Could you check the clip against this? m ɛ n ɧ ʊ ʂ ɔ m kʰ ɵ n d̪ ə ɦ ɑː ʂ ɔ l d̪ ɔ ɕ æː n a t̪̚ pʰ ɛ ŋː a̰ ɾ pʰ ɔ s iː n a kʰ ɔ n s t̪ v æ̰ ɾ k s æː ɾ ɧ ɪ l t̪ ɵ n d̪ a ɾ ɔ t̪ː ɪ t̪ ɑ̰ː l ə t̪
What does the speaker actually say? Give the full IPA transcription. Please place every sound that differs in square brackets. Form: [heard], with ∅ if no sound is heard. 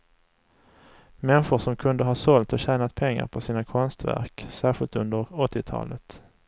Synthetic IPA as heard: m ɛ n ɧ ʊ ʂ ɔ m kʰ ɵ n d̪ ə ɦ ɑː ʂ ɔ l [t̪] ɔ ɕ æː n a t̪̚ pʰ ɛ ŋː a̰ ɾ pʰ ɔ s iː n a kʰ ɔ n s t̪ v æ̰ ɾ k s æː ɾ ɧ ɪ l t̪ ɵ n d̪ [ə] ɾ ɔ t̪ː ɪ [t̪ʰ] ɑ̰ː l ə t̪